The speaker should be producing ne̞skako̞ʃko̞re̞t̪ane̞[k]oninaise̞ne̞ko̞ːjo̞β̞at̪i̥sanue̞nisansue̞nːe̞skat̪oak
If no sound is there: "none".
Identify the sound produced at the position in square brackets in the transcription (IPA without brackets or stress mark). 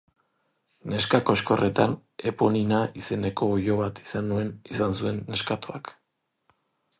p